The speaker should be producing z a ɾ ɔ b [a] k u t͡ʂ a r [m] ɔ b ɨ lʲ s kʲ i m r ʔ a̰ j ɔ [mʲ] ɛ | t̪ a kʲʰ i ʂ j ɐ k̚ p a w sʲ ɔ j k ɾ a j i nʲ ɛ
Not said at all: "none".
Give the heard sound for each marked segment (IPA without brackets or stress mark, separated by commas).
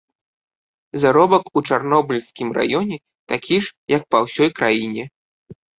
ɐ, n, nʲ